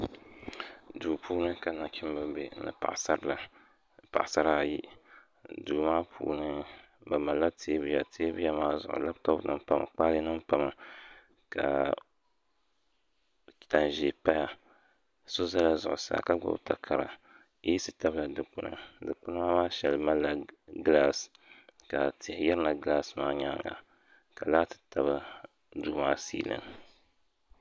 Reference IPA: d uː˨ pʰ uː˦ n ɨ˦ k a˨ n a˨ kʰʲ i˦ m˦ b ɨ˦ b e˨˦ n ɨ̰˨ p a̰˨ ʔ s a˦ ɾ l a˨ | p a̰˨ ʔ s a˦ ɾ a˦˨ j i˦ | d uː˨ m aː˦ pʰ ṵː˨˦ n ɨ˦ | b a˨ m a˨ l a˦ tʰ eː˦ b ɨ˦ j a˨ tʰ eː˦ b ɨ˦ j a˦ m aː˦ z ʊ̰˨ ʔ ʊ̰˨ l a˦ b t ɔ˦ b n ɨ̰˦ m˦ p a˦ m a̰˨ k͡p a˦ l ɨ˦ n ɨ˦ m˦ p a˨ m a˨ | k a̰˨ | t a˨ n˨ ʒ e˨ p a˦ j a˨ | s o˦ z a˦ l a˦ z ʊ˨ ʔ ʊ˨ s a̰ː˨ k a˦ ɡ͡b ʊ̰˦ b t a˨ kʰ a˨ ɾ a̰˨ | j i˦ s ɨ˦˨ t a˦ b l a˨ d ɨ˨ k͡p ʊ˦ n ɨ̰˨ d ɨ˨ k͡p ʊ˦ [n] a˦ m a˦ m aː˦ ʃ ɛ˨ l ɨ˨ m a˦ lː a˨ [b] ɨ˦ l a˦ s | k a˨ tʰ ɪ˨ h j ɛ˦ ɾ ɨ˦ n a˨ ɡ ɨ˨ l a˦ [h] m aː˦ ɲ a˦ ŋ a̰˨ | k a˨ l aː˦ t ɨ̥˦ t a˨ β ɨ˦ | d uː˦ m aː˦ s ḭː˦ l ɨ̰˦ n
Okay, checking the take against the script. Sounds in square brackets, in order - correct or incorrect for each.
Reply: correct, incorrect: ɡ, incorrect: s

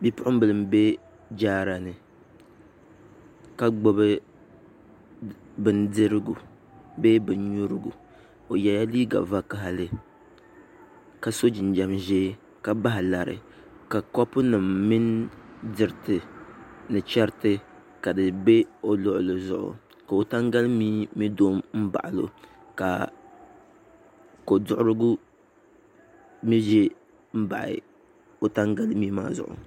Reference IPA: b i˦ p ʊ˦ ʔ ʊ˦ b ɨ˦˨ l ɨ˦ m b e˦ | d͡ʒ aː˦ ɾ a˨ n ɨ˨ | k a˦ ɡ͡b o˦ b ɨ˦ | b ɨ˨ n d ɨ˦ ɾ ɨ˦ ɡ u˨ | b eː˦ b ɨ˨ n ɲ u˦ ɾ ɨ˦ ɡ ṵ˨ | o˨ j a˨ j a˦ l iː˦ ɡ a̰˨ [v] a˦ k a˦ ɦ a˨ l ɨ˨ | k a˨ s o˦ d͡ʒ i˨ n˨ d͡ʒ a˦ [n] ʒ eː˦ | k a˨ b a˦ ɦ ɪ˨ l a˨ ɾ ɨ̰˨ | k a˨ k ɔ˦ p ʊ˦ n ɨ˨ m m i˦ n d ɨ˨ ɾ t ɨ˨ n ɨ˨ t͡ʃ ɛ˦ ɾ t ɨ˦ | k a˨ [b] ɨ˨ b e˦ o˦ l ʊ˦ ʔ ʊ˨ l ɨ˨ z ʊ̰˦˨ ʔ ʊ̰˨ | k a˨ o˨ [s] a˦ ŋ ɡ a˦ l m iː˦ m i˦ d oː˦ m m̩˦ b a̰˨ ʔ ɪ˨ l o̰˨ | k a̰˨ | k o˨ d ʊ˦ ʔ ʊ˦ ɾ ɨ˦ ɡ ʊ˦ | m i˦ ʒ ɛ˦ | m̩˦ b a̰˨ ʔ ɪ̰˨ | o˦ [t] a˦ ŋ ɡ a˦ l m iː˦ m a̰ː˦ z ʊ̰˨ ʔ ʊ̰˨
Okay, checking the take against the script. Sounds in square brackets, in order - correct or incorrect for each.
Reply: correct, incorrect: m, incorrect: d, incorrect: t, correct

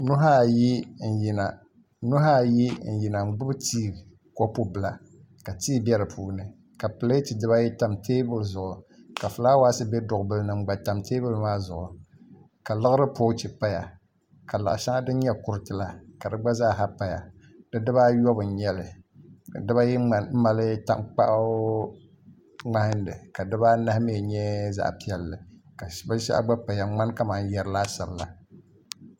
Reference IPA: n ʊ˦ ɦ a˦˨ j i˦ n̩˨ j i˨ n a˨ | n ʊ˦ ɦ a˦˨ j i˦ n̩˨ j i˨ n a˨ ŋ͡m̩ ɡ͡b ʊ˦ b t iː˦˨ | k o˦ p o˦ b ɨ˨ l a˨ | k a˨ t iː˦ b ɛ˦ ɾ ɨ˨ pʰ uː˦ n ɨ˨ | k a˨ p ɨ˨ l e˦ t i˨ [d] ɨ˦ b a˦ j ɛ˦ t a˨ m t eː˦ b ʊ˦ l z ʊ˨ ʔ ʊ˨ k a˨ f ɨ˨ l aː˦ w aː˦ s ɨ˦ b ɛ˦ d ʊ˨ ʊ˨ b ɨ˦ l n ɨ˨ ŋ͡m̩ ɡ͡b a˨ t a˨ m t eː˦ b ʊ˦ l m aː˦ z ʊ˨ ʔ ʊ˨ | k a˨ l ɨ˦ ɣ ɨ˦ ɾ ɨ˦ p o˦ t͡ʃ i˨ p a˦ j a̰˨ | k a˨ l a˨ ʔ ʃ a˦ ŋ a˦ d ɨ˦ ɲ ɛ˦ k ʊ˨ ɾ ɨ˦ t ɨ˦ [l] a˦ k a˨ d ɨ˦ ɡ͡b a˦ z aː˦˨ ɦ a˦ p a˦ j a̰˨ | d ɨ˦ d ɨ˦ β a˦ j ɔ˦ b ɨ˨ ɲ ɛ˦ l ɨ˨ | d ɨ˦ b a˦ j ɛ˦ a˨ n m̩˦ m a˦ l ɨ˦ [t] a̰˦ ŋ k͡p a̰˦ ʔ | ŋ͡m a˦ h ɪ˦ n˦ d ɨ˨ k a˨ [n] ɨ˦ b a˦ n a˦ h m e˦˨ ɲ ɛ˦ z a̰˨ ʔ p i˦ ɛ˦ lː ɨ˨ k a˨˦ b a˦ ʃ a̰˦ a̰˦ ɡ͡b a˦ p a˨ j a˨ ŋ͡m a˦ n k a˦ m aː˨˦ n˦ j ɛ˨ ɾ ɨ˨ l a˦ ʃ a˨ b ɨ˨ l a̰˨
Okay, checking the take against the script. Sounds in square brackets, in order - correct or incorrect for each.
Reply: correct, correct, correct, incorrect: d

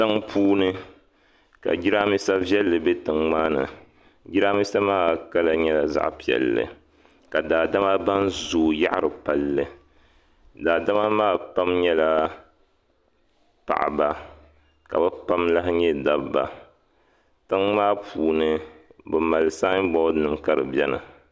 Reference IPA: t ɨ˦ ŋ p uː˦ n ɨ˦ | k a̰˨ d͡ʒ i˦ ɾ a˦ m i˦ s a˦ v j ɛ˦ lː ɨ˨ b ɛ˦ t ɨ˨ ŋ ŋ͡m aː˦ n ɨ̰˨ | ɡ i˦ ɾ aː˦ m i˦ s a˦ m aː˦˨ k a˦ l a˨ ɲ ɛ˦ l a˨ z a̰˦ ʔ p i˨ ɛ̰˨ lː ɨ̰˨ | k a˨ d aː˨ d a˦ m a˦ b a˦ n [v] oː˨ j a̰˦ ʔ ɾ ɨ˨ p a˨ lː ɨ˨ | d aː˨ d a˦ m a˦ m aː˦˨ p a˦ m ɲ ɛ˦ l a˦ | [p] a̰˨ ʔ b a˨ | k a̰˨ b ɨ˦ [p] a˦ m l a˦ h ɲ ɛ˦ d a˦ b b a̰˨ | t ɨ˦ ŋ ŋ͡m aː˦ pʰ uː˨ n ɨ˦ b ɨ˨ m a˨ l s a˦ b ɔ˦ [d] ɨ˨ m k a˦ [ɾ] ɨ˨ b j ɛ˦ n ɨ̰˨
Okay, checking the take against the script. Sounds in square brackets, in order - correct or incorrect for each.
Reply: incorrect: z, correct, correct, incorrect: n, correct

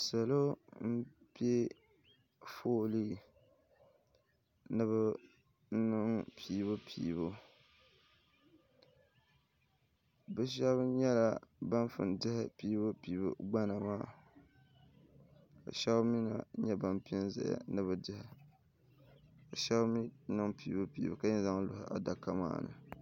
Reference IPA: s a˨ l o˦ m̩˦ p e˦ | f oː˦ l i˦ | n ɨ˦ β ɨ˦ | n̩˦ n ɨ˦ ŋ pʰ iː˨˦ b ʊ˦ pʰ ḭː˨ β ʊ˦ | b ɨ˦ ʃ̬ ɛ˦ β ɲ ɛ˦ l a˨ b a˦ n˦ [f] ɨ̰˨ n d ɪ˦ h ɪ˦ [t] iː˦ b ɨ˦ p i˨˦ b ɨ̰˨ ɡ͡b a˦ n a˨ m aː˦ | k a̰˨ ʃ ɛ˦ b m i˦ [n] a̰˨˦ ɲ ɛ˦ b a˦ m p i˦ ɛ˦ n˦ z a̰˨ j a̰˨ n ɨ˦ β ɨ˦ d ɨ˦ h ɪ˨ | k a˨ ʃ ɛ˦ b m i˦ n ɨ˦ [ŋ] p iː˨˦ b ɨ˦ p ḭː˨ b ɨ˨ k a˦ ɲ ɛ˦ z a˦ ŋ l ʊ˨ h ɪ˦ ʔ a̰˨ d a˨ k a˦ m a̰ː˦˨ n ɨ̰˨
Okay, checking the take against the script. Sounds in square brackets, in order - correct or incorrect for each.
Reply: correct, incorrect: p, correct, correct

